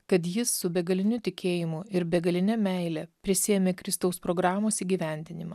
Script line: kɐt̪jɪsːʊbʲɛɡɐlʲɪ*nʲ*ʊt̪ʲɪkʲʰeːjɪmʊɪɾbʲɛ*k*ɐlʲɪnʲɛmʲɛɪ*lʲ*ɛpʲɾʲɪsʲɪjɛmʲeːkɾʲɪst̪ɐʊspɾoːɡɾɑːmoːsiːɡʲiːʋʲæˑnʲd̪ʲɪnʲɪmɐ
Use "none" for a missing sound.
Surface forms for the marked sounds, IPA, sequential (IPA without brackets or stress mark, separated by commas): nʲ, ɡ, lʲ